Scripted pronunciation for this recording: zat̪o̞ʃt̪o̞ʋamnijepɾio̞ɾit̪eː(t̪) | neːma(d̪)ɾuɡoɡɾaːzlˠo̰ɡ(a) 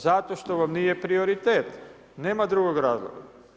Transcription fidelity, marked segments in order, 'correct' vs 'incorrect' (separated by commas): correct, correct, correct